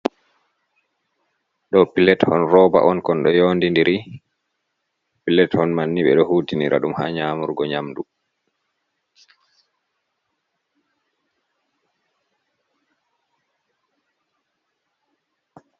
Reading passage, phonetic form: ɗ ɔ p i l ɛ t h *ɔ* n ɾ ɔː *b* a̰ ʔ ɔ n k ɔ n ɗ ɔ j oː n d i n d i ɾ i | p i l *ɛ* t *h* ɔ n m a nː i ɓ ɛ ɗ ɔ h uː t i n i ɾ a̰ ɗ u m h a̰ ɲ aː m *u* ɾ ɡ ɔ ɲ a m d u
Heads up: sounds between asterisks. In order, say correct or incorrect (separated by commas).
correct, correct, correct, correct, correct